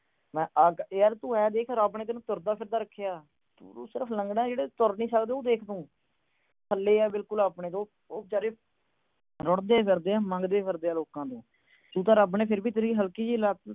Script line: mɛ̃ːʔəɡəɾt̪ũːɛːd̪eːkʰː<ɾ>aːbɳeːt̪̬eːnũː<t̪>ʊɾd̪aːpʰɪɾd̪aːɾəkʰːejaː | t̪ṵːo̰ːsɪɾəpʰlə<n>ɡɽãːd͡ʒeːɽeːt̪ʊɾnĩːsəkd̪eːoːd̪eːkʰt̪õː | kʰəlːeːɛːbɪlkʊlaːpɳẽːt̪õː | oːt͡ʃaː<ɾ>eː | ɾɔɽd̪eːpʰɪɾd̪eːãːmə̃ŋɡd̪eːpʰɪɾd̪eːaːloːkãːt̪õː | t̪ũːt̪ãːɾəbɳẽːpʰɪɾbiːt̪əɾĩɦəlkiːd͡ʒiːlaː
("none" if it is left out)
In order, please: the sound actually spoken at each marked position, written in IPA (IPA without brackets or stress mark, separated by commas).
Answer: ɾ, t̪, ŋ, ɾ